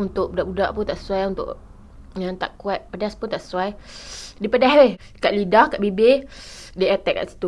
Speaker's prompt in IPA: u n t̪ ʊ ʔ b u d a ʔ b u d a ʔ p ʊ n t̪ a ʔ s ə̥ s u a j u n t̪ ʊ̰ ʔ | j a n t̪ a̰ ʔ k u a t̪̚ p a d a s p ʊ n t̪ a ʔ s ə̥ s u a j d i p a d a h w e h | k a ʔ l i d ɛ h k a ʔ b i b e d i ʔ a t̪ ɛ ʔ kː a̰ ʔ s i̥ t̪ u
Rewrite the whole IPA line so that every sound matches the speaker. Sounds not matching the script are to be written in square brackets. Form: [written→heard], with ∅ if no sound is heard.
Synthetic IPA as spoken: u n t̪ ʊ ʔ b u d a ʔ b u d a ʔ p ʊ n t̪ a ʔ s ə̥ s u a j u n t̪ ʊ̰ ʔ | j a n t̪ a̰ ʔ k u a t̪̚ p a d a s p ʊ n t̪ a ʔ s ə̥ s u a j d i p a d a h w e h | k a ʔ l i d [ɛ→a] h k a ʔ b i b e d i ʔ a t̪ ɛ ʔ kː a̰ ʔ s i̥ t̪ u

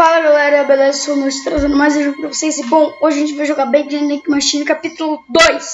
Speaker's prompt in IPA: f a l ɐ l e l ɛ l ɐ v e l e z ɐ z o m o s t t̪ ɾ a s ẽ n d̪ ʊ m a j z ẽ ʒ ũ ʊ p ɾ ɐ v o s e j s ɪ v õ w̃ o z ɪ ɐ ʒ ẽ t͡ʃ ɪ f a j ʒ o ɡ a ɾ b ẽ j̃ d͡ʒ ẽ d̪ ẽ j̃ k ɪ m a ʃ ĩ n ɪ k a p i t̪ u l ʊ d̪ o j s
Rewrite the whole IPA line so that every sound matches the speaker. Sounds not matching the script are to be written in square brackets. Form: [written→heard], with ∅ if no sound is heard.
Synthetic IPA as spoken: f a l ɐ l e l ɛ [l→ɾ] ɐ [v→b] e l e z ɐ [z→s] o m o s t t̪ ɾ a [s→z] ẽ n d̪ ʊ m a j z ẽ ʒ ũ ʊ p ɾ ɐ v o s e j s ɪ [v→b] õ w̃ o [z→ʒ] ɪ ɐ ʒ ẽ t͡ʃ ɪ [f→v] a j ʒ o ɡ a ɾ b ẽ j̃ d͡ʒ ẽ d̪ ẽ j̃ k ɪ m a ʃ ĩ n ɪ k a p i t̪ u l ʊ d̪ o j s

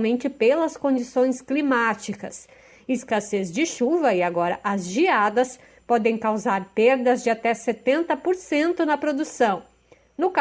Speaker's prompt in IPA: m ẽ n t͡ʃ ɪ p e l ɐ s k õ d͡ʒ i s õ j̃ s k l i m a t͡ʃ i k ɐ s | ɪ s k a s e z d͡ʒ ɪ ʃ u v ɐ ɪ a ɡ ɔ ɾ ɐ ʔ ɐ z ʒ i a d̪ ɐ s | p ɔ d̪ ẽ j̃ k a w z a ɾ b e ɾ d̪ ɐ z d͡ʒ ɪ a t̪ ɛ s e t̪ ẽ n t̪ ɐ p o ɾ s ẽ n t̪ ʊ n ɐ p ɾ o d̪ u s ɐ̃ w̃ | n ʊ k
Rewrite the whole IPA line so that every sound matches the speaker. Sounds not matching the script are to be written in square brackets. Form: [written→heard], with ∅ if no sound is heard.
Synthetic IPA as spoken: m ẽ n t͡ʃ ɪ p e l ɐ s k õ d͡ʒ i s õ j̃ s k l i m a t͡ʃ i k ɐ s | ɪ s k a s e z d͡ʒ ɪ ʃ u v ɐ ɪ a ɡ ɔ ɾ ɐ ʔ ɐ z ʒ i a d̪ ɐ s | p ɔ d̪ ẽ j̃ k a w z a ɾ [b→p] e ɾ d̪ ɐ z d͡ʒ ɪ a t̪ ɛ s e t̪ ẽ n t̪ ɐ p o ɾ s ẽ n t̪ ʊ n ɐ p ɾ o d̪ u s ɐ̃ w̃ | n ʊ k

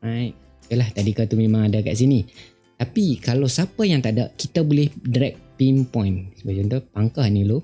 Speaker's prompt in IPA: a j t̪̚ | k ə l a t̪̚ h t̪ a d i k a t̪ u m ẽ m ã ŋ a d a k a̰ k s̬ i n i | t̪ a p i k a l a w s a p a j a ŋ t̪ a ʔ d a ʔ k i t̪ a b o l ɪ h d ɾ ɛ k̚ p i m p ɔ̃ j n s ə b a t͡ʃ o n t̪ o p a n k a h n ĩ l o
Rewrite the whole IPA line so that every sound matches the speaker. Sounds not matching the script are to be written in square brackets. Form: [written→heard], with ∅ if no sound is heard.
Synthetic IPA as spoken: a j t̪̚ | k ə l a [t̪̚→∅] h t̪ a d i k a t̪ u m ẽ m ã ŋ a d a k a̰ [k→ʔ] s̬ i n i | t̪ a p i k a l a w s a p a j a ŋ t̪ a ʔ d a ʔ k i t̪ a b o l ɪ h d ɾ ɛ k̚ p i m p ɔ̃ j n s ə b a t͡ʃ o n t̪ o p a [n→ŋ] k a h n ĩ l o

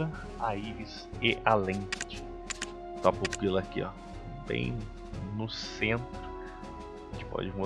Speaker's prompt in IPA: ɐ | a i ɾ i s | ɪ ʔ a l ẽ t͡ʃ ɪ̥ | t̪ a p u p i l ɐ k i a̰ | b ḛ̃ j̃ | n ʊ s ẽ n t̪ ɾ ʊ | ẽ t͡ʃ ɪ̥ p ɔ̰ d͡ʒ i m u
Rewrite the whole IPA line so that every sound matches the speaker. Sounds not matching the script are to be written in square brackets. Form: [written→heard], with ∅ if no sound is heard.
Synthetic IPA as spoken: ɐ | a i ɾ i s | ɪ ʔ a l ẽ t͡ʃ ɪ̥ | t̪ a p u p i l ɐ k i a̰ | b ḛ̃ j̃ | n ʊ s ẽ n t̪ ɾ ʊ | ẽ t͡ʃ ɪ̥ p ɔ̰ d͡ʒ [i→ɪ] m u

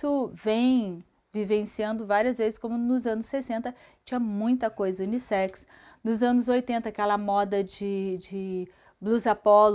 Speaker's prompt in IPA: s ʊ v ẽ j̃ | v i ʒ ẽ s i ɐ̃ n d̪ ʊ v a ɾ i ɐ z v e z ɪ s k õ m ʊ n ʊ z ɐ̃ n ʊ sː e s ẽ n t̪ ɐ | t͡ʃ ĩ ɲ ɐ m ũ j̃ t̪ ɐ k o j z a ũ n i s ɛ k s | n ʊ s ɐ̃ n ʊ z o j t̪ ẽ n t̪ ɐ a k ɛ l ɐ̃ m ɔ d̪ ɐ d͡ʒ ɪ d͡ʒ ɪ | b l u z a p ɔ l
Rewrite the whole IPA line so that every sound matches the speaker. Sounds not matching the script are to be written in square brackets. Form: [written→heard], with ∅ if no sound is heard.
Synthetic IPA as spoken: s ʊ v ẽ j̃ | v i [ʒ→v] ẽ s i ɐ̃ n d̪ ʊ v a ɾ i ɐ z v e z ɪ s k õ m ʊ n ʊ z ɐ̃ n ʊ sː e s ẽ n t̪ ɐ | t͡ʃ ĩ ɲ ɐ m ũ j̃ t̪ ɐ k o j z [a→ɐ] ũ n i s ɛ k s | n ʊ [s→z] ɐ̃ n ʊ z o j t̪ ẽ n t̪ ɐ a k ɛ l [ɐ̃→ɐ] m ɔ d̪ ɐ d͡ʒ ɪ d͡ʒ ɪ | b l u z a p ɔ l

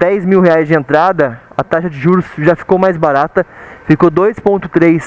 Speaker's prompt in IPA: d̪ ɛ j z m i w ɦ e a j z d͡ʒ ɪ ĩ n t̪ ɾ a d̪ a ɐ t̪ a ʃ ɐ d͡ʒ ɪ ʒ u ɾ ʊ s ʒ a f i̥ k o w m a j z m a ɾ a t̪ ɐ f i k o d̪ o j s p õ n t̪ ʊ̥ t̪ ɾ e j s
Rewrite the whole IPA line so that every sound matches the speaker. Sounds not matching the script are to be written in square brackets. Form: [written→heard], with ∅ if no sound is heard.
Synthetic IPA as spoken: d̪ ɛ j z m i w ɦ e a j z d͡ʒ ɪ [ĩ→ẽ] n t̪ ɾ a d̪ [a→ɐ] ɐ t̪ a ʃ ɐ d͡ʒ ɪ ʒ u ɾ ʊ s ʒ a f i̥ k o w m a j z [m→b] a ɾ a t̪ ɐ f i k o d̪ o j s p õ n t̪ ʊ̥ t̪ ɾ e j s

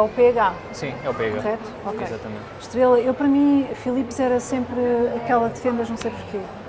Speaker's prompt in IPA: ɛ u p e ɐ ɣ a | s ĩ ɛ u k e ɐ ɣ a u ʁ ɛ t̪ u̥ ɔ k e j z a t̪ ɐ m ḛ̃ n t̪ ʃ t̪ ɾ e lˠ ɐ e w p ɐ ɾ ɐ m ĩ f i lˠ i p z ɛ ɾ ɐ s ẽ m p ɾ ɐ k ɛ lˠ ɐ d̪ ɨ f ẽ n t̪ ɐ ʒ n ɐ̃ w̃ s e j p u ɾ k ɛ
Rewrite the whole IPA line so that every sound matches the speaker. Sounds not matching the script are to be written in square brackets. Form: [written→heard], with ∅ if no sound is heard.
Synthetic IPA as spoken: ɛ u p e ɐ ɣ a | s ĩ ɛ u [k→p] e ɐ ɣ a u ʁ ɛ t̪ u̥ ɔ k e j z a t̪ ɐ m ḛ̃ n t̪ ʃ t̪ ɾ e lˠ ɐ e w p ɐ ɾ ɐ m ĩ f i lˠ i p z ɛ ɾ ɐ s ẽ m p ɾ ɐ k ɛ lˠ ɐ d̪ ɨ f ẽ n [t̪→d̪] ɐ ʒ n ɐ̃ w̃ s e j p u ɾ k [ɛ→e]

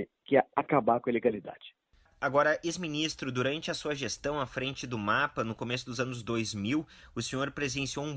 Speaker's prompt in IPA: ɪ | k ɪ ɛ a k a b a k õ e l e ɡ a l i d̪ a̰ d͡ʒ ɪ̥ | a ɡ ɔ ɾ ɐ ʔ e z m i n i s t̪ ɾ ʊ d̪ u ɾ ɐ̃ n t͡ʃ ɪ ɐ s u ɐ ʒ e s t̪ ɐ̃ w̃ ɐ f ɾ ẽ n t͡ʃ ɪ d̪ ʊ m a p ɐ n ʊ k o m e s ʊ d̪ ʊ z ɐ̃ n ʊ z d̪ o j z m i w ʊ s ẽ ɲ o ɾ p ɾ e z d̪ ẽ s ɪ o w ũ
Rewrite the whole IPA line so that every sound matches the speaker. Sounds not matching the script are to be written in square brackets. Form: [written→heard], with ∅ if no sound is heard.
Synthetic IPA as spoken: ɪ | k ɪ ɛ a k a b a k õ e l e ɡ a l i d̪ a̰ d͡ʒ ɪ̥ | a ɡ ɔ ɾ ɐ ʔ e z m i n i s t̪ ɾ ʊ d̪ u ɾ ɐ̃ n t͡ʃ ɪ ɐ s u ɐ ʒ e s t̪ ɐ̃ w̃ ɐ f ɾ ẽ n t͡ʃ ɪ d̪ ʊ m a p ɐ n ʊ k o m e s ʊ d̪ ʊ z ɐ̃ n ʊ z d̪ o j z m i w ʊ s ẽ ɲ o ɾ p ɾ e z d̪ ẽ s [ɪ→i] o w ũ

